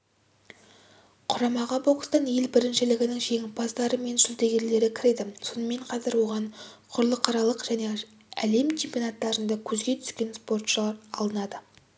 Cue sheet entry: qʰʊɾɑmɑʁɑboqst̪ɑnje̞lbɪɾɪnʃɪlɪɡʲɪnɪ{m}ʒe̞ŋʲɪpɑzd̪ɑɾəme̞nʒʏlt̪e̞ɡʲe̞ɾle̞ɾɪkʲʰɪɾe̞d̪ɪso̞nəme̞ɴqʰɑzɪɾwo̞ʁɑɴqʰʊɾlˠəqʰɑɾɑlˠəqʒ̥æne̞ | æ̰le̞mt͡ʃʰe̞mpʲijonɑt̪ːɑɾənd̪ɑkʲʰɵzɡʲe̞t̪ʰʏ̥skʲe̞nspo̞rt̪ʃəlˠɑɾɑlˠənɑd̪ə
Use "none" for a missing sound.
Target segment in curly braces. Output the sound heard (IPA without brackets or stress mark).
ŋ